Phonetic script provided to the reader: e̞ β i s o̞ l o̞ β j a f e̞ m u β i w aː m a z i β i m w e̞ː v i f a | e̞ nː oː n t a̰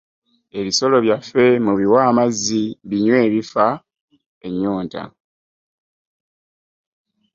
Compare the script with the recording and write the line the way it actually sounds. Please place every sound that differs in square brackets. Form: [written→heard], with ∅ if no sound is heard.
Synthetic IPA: e̞ β i s o̞ l o̞ β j a f e̞ m u β i w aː m a z i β i [m→ɲ] w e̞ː [v→β] i f a | e̞ [nː→ɲː] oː n t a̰